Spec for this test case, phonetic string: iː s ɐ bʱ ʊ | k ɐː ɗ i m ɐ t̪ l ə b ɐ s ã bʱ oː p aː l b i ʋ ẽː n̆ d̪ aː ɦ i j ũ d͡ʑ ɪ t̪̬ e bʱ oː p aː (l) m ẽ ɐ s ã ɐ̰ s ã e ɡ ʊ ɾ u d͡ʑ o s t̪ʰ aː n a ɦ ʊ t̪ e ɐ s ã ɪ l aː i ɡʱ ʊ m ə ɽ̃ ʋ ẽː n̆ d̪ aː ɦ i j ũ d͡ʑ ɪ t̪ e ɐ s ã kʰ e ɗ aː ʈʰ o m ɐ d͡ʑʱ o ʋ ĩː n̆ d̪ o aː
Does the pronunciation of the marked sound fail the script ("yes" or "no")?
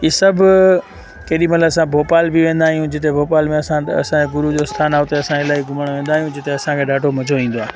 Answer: no